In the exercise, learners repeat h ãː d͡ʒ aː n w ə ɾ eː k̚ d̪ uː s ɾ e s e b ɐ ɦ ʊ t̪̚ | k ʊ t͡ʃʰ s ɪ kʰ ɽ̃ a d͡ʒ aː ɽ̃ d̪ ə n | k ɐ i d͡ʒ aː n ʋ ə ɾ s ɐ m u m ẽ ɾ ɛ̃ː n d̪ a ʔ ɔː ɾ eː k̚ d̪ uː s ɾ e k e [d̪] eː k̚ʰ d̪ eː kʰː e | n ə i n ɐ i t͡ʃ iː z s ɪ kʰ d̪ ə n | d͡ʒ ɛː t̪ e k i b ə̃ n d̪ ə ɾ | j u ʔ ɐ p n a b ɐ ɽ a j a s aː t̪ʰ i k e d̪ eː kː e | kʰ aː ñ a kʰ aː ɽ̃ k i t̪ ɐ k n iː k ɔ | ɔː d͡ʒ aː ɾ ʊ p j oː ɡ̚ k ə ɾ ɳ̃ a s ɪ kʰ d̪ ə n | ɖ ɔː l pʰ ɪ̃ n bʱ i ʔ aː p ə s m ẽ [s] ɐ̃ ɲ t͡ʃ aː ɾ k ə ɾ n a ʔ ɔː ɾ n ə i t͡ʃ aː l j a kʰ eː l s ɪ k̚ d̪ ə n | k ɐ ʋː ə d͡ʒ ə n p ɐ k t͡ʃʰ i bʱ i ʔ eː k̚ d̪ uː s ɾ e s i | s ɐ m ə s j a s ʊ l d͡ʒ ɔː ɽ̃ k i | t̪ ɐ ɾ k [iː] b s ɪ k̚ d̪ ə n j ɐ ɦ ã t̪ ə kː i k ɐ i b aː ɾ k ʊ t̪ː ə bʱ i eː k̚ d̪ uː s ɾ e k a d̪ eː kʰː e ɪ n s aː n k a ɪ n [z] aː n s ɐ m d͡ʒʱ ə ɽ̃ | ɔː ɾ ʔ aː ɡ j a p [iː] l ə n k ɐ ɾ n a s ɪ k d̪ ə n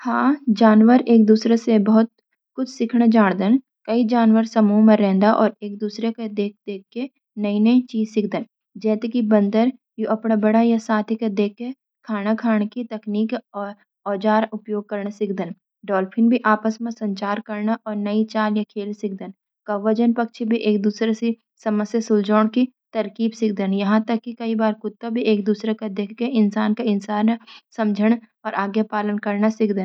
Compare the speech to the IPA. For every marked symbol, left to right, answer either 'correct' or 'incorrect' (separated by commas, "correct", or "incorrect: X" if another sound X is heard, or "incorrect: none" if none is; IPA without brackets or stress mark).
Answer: correct, correct, correct, incorrect: s, incorrect: aː